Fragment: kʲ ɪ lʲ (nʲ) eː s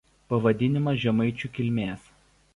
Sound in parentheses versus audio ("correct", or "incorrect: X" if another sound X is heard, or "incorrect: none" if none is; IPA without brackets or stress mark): incorrect: mʲ